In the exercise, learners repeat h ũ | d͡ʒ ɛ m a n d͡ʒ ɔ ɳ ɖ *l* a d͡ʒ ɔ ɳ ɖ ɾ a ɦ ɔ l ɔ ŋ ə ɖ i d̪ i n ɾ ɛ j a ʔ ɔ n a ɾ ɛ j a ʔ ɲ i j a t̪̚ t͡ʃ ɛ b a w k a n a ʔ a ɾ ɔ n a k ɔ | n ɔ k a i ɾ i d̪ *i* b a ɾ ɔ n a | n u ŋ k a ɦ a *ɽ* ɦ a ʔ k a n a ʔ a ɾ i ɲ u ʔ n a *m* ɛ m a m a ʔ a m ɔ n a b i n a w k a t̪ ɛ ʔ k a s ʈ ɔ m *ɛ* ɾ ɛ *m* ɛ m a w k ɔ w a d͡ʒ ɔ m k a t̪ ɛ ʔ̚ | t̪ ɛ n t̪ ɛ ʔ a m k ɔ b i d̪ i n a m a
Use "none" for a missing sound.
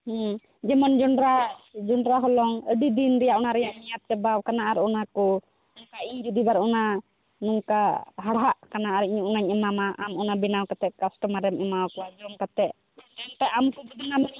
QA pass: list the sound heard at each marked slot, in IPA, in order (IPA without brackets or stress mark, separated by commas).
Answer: ɾ, i, ɽ, ɲ, a, m